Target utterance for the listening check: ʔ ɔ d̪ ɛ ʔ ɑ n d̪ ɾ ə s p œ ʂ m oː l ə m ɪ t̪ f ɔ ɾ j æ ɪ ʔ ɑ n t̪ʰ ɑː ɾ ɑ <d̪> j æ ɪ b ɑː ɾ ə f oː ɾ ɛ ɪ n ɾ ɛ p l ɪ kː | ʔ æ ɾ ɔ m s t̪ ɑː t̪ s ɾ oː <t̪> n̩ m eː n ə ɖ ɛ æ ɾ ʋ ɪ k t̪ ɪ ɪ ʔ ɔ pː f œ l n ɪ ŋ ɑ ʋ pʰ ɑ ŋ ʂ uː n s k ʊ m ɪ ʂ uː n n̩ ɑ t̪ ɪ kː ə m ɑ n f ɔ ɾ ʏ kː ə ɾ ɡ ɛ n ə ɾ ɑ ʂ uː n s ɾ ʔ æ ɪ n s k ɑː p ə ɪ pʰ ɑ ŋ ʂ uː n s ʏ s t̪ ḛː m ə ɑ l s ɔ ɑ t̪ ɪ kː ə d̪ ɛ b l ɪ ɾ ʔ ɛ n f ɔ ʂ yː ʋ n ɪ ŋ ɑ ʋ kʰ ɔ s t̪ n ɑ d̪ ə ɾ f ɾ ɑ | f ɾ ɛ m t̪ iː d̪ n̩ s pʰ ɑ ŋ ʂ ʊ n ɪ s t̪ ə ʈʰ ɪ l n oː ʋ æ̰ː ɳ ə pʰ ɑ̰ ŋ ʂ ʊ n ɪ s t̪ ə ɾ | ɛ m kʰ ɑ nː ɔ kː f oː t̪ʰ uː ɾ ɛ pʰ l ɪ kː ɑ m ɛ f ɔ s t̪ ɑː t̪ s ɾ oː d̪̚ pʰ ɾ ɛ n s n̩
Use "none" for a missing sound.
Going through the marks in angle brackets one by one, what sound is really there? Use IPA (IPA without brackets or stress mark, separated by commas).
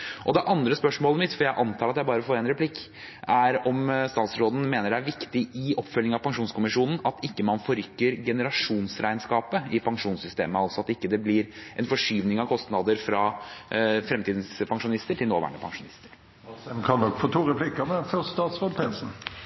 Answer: t̪, d̪